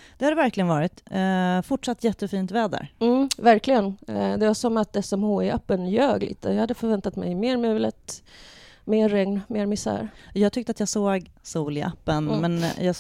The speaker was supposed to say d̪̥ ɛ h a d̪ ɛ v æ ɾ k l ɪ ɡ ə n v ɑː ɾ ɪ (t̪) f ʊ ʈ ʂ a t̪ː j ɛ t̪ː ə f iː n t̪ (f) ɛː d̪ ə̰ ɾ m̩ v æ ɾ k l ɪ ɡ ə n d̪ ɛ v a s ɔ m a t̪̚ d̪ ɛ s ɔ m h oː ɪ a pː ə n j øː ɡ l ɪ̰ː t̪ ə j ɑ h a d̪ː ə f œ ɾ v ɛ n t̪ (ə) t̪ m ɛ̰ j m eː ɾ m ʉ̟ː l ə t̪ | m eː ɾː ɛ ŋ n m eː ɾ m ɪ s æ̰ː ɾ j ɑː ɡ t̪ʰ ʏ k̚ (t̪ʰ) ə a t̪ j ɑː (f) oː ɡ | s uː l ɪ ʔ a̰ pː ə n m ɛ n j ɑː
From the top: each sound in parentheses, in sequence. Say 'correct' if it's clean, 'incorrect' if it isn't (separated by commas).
correct, incorrect, incorrect, incorrect, incorrect